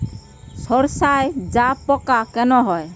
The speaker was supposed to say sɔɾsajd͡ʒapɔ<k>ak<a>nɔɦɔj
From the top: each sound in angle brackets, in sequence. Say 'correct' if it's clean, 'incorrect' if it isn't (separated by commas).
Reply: correct, incorrect